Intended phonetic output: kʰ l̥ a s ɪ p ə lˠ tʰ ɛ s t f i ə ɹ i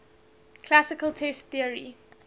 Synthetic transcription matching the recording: kʰ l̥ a s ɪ k ə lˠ tʰ ɛ s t θ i ə ɹ i